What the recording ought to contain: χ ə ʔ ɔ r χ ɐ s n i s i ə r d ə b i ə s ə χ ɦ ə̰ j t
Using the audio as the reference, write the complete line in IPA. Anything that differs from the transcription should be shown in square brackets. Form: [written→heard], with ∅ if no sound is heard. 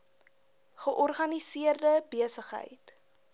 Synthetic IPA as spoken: χ ə ʔ ɔ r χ ɐ [s→∅] n i s i ə r d ə b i ə s ə χ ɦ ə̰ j t